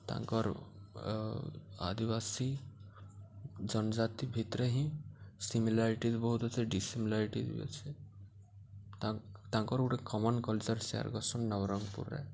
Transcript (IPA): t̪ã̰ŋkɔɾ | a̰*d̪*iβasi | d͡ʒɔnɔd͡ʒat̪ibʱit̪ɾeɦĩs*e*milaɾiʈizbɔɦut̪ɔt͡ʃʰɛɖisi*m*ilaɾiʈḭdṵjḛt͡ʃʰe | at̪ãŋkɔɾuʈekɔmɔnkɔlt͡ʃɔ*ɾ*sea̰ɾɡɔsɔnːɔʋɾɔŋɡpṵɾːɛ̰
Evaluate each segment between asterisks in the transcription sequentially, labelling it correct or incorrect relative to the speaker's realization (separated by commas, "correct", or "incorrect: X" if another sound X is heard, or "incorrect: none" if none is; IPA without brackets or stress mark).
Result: correct, incorrect: i, correct, correct